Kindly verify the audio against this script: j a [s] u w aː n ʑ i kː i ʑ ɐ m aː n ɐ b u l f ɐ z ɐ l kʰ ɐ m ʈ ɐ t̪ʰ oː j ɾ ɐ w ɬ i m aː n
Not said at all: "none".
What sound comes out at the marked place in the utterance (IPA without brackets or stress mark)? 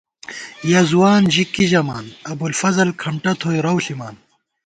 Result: z